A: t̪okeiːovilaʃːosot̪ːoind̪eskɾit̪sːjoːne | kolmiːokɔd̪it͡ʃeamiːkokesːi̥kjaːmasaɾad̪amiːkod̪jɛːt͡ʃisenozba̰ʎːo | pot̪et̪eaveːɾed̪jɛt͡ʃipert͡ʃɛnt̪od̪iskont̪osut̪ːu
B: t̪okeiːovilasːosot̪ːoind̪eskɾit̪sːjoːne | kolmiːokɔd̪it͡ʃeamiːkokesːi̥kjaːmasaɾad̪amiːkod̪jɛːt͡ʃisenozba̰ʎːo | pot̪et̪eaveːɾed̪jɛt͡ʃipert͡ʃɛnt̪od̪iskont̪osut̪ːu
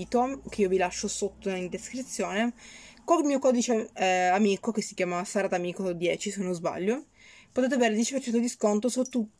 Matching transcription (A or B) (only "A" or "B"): A